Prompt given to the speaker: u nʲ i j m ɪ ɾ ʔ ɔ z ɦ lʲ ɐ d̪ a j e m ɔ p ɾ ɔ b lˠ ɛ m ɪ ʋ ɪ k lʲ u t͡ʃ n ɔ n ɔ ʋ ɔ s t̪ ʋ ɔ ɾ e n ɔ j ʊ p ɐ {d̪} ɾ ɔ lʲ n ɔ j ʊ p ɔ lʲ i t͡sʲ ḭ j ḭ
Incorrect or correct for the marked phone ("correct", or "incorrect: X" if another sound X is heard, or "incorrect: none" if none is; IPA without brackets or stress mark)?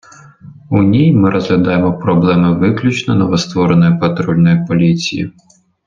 incorrect: t̪